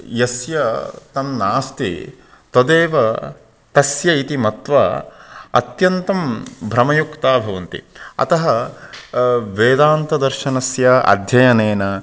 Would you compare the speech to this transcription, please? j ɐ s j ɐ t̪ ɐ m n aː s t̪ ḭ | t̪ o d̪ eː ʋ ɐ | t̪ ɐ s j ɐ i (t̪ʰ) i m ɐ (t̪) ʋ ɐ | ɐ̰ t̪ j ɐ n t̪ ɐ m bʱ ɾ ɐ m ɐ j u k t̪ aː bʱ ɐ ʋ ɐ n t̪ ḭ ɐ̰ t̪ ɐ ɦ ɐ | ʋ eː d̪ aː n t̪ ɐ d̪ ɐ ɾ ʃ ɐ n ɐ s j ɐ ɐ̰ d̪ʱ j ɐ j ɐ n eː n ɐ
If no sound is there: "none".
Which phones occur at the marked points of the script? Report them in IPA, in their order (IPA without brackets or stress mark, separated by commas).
t̪, t̪